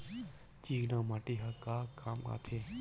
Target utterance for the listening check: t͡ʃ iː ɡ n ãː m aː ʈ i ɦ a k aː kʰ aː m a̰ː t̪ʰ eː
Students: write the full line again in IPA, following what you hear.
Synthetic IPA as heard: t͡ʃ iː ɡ n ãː m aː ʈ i ɦ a k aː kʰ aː m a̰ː t̪ʰ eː